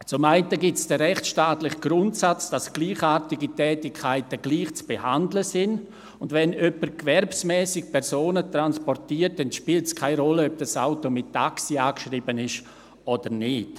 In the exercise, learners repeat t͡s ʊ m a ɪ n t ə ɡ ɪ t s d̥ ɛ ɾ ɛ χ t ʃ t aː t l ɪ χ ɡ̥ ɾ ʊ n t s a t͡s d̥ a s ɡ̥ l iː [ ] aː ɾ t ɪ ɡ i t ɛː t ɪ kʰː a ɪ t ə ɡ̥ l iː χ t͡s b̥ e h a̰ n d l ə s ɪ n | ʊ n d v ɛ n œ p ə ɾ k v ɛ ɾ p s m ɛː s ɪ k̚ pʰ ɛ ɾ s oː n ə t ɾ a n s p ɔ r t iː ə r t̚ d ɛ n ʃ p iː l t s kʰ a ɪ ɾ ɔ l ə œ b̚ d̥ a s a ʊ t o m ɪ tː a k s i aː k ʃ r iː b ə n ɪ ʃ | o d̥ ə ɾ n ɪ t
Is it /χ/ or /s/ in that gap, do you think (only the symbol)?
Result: χ